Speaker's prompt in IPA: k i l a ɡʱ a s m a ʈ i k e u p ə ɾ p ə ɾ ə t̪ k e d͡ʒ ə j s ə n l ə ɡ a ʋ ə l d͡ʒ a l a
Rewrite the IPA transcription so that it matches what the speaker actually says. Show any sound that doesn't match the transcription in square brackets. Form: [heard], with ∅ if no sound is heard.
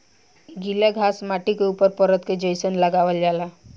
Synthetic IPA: [ɡ] i l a ɡʱ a s m a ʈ i k e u p ə ɾ p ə ɾ ə t̪ k e d͡ʒ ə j s ə n l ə ɡ a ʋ ə l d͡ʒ a l a